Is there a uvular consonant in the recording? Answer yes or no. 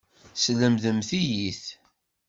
no